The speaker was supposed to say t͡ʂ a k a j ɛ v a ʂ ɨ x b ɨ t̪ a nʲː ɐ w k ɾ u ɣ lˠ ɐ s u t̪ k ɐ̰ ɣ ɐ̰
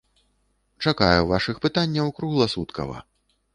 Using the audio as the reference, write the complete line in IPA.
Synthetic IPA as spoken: t͡ʂ a k a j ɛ v a ʂ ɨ x p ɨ t̪ a nʲː ɐ w k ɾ u ɣ lˠ ɐ s u t̪ k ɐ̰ v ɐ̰